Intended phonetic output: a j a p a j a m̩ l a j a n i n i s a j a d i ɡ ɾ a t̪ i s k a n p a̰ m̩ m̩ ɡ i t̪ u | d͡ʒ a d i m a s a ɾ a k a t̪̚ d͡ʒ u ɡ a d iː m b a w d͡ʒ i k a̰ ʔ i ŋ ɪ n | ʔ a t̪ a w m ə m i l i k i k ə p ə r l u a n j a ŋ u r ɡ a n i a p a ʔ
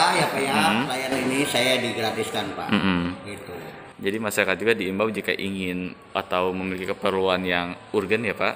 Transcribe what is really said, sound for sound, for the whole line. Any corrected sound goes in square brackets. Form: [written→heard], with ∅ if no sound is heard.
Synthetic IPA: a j a p a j a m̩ l a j a n i n i s a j a d i ɡ ɾ a t̪ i s k a n p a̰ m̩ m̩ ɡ i t̪ u | d͡ʒ a d i m a s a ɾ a k a t̪̚ d͡ʒ u ɡ a d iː m b a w d͡ʒ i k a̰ ʔ i ŋ ɪ n | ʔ a t̪ a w m ə m i l i k i k ə p ə r l u a n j a ŋ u r ɡ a n [i→j] a p a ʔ